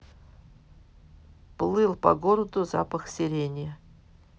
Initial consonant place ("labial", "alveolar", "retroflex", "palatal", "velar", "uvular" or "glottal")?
labial